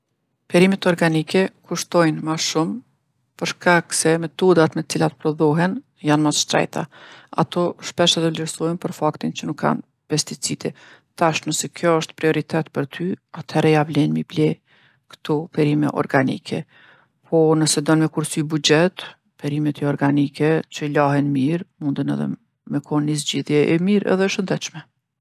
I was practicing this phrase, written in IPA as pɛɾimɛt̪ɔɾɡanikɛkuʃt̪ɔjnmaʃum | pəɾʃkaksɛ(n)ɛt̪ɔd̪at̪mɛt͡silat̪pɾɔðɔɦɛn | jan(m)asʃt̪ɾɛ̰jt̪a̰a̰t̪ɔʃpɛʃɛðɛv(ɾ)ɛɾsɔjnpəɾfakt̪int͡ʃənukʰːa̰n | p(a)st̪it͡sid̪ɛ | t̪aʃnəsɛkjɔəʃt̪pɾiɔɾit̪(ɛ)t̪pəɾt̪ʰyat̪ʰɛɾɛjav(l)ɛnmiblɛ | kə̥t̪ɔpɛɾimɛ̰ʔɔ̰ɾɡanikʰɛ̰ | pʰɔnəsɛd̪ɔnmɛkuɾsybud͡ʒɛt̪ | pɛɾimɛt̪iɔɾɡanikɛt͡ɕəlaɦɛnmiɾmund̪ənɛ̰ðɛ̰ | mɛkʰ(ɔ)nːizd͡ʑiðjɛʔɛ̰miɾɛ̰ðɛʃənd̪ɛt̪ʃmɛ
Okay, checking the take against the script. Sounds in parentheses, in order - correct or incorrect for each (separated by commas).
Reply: incorrect, correct, incorrect, incorrect, correct, correct, correct